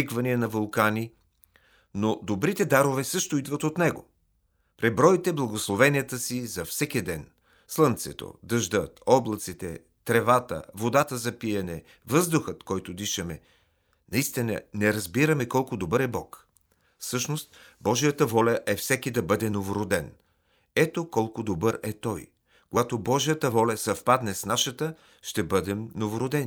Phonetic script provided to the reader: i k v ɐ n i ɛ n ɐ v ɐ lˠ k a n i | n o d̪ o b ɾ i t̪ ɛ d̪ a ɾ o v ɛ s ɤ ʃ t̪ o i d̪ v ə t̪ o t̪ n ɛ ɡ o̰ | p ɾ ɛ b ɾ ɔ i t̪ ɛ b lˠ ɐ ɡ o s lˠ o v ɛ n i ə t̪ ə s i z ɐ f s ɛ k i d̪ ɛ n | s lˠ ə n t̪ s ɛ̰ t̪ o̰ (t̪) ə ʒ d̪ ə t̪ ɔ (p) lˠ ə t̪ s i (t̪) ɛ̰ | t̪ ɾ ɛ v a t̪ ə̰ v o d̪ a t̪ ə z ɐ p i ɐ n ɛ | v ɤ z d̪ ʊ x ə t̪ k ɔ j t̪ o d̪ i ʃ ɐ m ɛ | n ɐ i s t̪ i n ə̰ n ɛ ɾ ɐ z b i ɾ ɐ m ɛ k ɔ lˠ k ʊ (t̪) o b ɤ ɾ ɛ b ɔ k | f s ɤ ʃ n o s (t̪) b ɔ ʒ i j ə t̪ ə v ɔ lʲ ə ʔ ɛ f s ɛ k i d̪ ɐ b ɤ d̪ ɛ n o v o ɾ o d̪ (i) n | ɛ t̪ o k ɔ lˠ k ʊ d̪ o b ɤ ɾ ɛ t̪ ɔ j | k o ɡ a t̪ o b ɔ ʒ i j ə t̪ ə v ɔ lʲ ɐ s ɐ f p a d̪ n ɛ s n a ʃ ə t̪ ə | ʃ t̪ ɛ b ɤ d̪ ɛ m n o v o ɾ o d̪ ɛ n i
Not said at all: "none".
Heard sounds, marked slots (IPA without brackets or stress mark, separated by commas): d̪, b, t̪, d̪, t̪, ɛ